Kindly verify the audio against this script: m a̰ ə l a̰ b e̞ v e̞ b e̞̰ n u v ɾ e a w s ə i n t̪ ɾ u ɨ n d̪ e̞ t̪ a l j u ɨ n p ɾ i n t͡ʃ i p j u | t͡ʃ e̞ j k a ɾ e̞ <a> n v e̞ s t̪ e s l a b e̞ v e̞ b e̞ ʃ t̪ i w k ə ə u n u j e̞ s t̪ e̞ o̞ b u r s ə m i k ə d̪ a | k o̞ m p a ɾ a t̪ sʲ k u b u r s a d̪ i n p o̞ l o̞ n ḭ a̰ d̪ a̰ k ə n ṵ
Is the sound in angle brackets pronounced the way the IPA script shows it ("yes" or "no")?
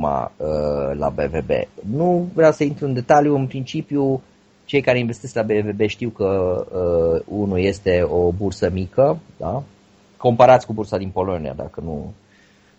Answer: no